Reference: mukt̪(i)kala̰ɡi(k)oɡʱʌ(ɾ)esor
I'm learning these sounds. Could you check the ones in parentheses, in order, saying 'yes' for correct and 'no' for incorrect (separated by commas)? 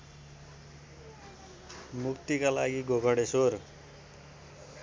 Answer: yes, no, no